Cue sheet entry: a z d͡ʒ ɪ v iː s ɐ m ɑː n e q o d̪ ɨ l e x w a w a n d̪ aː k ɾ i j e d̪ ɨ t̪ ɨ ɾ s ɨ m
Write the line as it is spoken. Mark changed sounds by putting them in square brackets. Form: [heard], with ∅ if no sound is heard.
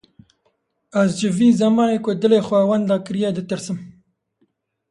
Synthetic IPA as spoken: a z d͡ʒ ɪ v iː [z] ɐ m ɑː n e [k] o d̪ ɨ l e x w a w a n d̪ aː k ɾ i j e d̪ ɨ t̪ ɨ ɾ s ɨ m